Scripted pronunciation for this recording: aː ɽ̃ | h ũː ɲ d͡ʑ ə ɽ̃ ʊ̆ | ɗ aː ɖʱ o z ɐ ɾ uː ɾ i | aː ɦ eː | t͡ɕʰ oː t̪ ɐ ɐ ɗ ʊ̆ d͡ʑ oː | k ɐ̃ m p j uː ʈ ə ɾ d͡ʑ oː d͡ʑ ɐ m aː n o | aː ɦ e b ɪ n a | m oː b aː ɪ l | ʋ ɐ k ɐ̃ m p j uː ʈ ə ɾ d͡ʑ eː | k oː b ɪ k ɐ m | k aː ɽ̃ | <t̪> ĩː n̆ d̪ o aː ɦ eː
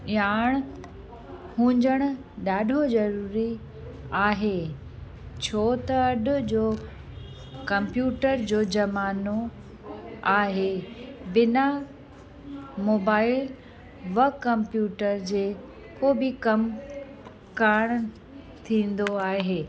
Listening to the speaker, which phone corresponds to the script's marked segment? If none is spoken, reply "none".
t̪ʰ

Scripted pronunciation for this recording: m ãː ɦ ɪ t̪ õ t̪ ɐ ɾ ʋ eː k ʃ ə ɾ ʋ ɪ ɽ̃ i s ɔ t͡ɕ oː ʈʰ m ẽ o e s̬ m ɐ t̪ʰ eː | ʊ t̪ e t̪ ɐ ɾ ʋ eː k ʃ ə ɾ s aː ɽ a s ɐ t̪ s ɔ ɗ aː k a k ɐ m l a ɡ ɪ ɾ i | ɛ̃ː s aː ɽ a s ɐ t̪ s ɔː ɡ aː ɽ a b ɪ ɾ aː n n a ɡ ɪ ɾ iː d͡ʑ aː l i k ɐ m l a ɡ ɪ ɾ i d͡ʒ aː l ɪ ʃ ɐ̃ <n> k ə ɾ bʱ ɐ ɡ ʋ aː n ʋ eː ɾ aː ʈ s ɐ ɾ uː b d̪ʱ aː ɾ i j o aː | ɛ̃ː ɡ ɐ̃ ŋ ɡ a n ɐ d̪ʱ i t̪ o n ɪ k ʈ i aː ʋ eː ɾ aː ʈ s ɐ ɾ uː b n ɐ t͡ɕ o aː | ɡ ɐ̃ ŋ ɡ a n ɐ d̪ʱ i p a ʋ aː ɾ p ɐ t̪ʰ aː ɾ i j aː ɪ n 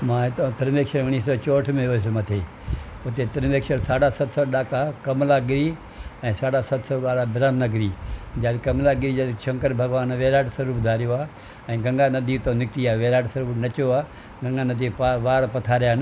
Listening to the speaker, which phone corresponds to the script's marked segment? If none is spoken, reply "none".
ŋ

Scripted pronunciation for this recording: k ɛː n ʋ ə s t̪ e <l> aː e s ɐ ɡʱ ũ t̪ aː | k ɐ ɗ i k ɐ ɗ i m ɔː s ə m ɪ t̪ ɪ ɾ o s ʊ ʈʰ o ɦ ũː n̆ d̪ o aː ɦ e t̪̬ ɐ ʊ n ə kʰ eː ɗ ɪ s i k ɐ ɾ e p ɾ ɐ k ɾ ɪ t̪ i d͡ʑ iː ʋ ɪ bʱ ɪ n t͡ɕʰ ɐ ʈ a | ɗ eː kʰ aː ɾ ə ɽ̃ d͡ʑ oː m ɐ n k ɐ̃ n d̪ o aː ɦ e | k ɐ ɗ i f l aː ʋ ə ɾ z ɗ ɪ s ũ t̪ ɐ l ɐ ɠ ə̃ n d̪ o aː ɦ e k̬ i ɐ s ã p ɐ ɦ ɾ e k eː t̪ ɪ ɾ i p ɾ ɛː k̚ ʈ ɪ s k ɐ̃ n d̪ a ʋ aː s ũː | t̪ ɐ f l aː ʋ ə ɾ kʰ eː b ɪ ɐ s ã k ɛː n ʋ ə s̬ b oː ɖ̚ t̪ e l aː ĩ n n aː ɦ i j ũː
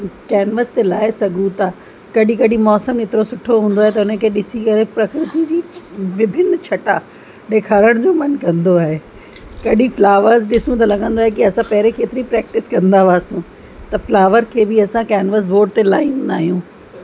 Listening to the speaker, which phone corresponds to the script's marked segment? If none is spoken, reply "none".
l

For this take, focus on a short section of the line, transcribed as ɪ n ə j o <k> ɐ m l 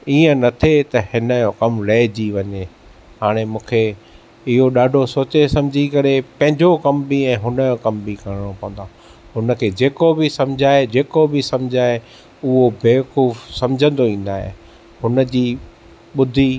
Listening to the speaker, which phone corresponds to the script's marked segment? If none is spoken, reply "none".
k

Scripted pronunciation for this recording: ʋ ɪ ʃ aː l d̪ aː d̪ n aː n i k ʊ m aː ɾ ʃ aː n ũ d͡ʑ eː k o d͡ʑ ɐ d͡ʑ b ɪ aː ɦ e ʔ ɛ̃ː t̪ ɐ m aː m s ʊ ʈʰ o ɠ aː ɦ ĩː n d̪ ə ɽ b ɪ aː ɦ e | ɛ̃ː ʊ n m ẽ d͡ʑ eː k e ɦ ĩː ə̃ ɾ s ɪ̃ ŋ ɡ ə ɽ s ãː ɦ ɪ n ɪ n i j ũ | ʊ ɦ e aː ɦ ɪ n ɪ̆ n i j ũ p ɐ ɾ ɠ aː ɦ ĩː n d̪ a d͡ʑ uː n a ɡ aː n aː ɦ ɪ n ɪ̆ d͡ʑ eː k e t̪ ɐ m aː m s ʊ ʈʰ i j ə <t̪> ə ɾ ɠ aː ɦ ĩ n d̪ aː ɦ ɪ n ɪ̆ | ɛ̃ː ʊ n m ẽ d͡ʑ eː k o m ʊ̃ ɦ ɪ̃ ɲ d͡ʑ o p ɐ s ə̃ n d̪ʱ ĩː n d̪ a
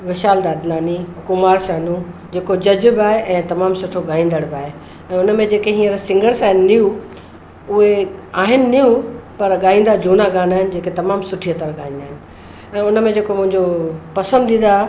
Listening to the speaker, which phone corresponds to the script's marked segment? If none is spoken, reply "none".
t̪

